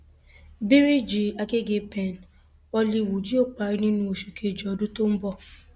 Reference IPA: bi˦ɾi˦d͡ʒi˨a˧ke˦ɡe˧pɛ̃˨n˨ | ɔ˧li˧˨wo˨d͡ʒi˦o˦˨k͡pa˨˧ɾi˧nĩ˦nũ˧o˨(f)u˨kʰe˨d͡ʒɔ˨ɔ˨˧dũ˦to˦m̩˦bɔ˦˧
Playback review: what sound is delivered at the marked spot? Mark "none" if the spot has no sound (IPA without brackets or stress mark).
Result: ʃ